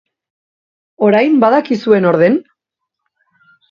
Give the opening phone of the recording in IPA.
o̞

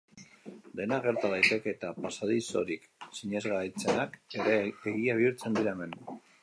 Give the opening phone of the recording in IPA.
d̪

